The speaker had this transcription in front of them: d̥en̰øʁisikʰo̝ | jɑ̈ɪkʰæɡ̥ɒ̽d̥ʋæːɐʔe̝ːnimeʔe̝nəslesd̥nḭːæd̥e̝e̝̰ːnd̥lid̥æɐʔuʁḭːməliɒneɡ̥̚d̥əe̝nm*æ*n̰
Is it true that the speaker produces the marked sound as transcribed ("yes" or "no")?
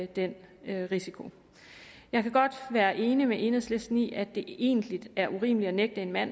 yes